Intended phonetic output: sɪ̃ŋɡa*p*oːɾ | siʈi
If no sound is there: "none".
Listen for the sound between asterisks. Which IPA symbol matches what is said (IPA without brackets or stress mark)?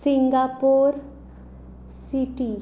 p